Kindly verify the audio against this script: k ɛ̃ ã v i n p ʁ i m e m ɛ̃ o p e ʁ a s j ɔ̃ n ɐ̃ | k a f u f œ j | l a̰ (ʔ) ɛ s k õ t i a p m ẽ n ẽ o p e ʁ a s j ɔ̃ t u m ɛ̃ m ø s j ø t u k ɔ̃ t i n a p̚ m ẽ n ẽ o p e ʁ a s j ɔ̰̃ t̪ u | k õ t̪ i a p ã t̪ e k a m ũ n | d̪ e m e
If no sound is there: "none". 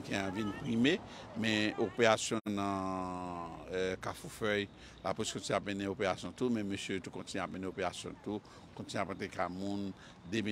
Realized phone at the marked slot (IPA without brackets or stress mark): p